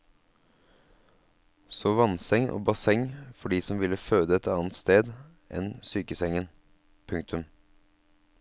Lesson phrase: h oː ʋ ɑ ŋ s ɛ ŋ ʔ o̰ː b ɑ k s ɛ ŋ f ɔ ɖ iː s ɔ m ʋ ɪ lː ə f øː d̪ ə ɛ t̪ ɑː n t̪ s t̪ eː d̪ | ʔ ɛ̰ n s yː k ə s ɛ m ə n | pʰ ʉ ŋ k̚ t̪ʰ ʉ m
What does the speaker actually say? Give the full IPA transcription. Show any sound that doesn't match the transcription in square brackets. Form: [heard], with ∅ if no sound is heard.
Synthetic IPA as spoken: [s] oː ʋ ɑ [n] s ɛ ŋ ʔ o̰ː b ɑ [∅] s ɛ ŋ f ɔ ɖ iː s ɔ m ʋ ɪ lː ə f øː d̪ ə ɛ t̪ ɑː n t̪ s t̪ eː d̪ | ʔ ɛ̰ n s yː k ə s ɛ [ŋ] ə n | pʰ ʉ ŋ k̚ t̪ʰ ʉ m